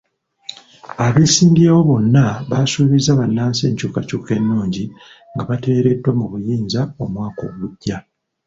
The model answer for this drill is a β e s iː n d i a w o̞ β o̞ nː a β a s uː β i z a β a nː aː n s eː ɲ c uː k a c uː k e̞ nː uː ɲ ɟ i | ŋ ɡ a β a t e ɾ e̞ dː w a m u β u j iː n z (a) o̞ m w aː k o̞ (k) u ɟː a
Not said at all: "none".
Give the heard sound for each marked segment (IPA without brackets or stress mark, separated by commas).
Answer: a, ɡ